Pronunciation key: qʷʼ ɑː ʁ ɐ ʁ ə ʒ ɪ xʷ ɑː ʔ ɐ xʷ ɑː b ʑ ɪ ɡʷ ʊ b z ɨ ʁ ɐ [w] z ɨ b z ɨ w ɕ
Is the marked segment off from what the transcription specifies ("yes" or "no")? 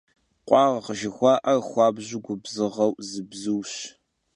no